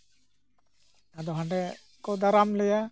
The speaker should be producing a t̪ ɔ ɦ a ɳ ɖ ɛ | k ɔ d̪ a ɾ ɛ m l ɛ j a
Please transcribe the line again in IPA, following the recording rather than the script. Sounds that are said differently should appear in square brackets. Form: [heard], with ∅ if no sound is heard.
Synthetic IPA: a [d̪] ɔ ɦ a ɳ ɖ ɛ | k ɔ d̪ a ɾ [a] m l ɛ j a